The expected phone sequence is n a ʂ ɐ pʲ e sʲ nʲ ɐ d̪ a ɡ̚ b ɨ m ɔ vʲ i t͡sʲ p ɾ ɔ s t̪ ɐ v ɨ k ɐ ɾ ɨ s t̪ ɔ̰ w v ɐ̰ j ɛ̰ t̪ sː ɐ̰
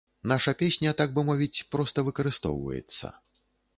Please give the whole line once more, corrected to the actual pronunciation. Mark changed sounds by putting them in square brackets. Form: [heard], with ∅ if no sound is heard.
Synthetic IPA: n a ʂ ɐ pʲ e sʲ nʲ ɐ [t̪] a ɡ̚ b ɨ m ɔ vʲ i t͡sʲ p ɾ ɔ s t̪ ɐ v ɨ k ɐ ɾ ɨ s t̪ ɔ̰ w v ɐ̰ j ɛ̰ t̪ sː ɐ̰